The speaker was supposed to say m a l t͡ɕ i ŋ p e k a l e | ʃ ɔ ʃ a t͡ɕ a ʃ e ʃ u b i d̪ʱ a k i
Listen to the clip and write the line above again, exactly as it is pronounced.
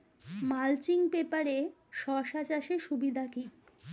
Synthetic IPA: m a l t͡ɕ i ŋ p e p a ɾ e | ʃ ɔ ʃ a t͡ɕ a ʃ e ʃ u b i d̪ʱ a k i